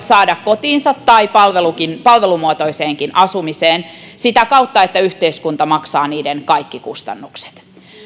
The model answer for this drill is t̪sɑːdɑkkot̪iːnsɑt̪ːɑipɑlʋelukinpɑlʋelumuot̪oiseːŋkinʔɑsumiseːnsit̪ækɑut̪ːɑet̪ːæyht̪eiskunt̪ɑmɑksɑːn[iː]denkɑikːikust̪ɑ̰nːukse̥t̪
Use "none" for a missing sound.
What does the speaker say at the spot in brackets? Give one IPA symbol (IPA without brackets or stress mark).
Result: iː